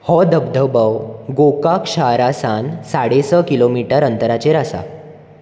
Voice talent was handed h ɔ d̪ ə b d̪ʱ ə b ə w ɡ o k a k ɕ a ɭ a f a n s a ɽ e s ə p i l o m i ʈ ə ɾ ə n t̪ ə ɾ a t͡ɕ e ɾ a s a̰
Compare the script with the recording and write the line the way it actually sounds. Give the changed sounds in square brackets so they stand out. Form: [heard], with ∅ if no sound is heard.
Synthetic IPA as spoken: h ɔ d̪ ə b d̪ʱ ə b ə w ɡ o k a k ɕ a [ɾ] a [s] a n s a ɽ e s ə [k] i l o m i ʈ ə ɾ ə n t̪ ə ɾ a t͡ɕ e ɾ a s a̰